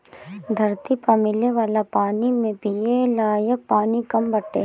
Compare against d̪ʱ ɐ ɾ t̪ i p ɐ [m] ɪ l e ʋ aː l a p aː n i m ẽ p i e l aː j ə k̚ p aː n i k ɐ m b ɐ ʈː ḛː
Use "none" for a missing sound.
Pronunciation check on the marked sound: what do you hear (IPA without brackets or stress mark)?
m